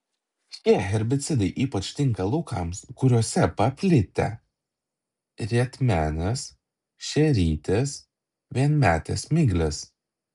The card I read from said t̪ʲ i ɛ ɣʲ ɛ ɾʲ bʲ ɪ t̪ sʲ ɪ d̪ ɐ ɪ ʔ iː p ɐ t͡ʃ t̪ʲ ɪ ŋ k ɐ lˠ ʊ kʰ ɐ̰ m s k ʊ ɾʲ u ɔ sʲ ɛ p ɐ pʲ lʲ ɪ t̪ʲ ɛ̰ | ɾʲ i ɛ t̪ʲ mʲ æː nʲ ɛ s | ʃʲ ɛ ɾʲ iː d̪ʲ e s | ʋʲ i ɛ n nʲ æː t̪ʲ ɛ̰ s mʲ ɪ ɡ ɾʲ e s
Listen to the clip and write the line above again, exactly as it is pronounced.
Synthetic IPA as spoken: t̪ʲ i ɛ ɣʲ ɛ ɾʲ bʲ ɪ t̪ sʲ ɪ d̪ ɐ ɪ ʔ iː p ɐ t͡ʃ t̪ʲ ɪ ŋ k ɐ lˠ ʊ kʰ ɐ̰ m s k ʊ ɾʲ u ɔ sʲ ɛ p ɐ pʲ lʲ ɪ t̪ʲ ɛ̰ | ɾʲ i ɛ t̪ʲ mʲ æː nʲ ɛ s | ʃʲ ɛ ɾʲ iː t̪ʲ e s | ʋʲ i ɛ n mʲ æː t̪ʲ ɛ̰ s mʲ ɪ ɡ lʲ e s